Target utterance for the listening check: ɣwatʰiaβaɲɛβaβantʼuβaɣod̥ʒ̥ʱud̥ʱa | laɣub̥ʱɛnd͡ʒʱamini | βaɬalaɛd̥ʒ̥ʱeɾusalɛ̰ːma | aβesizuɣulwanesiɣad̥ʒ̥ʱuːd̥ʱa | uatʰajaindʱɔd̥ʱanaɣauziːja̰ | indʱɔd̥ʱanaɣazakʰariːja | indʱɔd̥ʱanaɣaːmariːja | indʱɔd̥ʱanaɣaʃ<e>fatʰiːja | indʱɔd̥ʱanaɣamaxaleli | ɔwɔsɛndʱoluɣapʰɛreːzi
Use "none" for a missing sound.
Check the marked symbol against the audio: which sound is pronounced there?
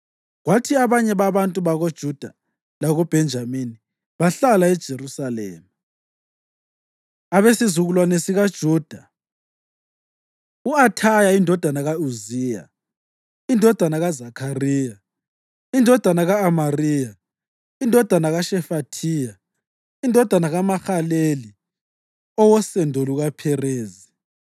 ɛ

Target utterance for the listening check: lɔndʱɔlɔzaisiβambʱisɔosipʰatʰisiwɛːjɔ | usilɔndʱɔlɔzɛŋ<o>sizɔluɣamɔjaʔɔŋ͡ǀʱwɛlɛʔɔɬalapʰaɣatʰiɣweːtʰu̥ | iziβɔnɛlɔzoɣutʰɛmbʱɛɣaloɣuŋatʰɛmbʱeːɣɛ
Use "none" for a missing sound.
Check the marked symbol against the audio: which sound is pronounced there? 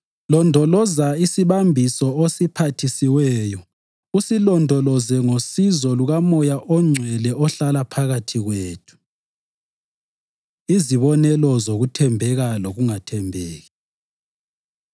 o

